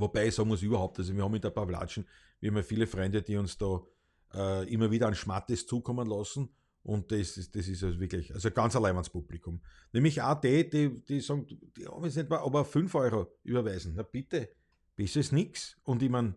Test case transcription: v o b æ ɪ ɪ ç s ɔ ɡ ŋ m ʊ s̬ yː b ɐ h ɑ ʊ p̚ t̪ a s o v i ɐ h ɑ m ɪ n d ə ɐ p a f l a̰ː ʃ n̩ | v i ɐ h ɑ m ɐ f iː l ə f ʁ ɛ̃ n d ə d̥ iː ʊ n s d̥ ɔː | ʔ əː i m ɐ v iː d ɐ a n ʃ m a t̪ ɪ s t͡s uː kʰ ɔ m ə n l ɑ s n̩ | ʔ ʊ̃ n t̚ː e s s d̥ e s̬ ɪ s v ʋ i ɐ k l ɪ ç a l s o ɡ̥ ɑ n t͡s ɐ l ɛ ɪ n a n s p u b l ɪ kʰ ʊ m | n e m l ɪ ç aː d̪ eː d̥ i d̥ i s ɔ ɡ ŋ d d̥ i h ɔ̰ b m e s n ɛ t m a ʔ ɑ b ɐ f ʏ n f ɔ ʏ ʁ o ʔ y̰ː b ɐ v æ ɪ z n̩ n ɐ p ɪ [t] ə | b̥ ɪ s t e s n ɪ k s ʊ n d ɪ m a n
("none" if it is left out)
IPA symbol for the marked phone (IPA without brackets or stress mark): t